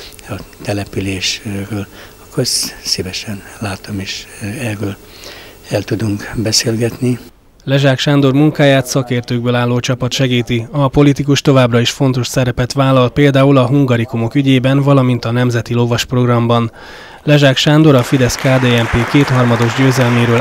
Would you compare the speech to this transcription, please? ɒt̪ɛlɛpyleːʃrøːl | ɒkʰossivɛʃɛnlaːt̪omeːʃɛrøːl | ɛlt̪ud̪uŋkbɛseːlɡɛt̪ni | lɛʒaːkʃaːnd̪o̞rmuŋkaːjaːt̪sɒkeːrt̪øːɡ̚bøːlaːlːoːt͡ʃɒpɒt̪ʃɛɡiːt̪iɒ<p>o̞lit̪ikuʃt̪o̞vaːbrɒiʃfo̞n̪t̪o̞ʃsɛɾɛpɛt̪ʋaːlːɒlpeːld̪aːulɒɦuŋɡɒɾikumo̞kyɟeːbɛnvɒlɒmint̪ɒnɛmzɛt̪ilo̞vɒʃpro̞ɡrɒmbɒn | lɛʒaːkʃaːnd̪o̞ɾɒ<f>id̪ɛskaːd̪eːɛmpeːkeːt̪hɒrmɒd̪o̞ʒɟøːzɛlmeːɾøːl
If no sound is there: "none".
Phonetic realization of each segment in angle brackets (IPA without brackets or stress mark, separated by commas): p, f